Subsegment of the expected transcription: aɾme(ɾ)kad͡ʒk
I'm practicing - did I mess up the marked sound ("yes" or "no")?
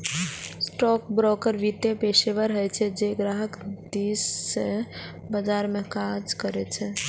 yes